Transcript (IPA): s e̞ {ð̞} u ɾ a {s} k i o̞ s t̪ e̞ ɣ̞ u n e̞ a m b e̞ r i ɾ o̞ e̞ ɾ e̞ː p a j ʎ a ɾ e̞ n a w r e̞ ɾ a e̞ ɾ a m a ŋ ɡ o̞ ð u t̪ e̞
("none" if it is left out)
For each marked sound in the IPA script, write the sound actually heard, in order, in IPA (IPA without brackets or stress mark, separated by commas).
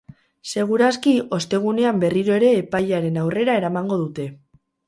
ɣ̞, s